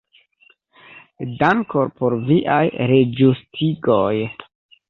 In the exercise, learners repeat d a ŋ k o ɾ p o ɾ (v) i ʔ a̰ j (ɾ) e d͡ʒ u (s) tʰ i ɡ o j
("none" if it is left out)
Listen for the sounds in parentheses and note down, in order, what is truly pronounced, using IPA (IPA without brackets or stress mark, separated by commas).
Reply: v, ɾ, s